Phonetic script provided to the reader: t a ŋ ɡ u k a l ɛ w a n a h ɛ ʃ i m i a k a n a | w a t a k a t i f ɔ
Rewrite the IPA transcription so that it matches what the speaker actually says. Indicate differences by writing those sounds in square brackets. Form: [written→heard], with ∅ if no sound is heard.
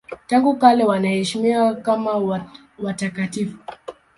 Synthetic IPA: t a ŋ ɡ u k a l ɛ w a n a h ɛ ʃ i m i a k a [n→m] a | w a t a k a t i f [ɔ→u]